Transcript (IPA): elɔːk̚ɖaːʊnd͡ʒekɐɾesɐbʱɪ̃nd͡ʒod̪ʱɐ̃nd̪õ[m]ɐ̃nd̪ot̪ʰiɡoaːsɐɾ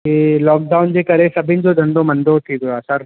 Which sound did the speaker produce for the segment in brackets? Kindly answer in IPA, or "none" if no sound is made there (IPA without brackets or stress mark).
m